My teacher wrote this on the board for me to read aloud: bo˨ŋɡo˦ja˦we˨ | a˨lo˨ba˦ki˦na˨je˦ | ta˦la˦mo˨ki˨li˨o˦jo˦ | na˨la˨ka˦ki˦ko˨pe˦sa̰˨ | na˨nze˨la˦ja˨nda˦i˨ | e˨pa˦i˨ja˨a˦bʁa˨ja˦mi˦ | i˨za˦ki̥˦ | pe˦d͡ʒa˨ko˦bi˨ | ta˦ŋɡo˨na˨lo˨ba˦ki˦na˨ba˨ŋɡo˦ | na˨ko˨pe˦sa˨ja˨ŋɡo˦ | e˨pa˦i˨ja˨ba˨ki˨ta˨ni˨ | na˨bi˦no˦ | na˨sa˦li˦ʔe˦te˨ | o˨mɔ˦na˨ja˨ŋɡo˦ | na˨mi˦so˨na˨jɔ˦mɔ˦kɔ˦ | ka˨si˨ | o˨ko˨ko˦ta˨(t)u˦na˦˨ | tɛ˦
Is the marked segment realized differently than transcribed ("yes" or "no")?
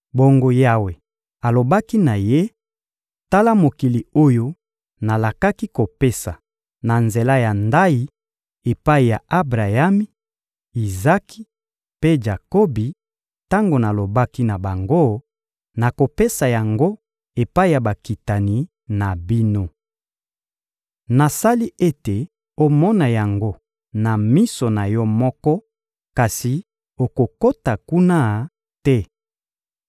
yes